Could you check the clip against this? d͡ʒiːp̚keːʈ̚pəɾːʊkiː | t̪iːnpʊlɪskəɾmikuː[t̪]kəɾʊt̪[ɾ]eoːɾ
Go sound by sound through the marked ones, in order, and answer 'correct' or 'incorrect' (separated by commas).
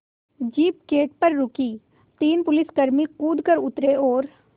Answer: incorrect, correct